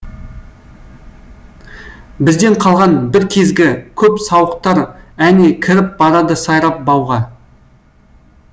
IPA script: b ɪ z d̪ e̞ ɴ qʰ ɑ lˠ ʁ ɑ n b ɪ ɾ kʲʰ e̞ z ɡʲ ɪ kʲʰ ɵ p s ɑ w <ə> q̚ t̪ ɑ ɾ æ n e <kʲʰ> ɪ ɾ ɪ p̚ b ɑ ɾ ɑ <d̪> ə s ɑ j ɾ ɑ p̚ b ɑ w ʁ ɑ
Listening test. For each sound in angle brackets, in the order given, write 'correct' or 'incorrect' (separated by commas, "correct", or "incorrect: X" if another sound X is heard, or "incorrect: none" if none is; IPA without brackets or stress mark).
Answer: correct, correct, correct